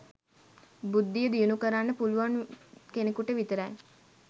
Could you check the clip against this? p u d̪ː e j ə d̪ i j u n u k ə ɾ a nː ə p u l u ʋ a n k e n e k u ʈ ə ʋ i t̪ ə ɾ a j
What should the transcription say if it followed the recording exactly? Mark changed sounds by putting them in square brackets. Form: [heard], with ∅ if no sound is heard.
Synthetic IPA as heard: [b] u d̪ː [i] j ə d̪ i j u n u k ə ɾ a nː ə p u l u ʋ a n k e n e k u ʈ ə ʋ i t̪ ə ɾ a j